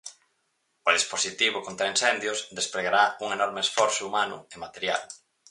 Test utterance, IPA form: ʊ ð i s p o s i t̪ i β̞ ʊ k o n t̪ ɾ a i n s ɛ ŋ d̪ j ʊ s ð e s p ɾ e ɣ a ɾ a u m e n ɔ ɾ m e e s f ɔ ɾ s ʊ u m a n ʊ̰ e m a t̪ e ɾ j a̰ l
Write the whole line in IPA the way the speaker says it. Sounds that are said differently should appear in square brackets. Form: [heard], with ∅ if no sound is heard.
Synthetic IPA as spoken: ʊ ð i s p o s i t̪ i β̞ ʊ k o n t̪ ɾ a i n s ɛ [n] d̪ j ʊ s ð e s p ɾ e ɣ a ɾ a u [ŋ] e n ɔ ɾ m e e s f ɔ ɾ s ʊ u m a n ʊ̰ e m a t̪ e ɾ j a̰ l